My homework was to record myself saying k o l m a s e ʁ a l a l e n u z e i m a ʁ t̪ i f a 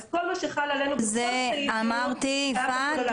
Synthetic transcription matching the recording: k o l m a ʃ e χ a l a l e n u z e a m a ʁ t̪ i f a